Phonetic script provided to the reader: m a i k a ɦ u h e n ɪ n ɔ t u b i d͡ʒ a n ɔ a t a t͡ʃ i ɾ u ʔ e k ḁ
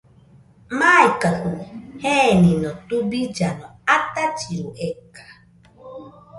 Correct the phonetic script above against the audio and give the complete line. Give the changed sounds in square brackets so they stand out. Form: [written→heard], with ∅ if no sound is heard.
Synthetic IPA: m a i k a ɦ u h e n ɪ n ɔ t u b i d͡ʒ a n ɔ a t a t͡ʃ i ɾ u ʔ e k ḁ